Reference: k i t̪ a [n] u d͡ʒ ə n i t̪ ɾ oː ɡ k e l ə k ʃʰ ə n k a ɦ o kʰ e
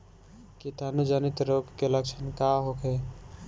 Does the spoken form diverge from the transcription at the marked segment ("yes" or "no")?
no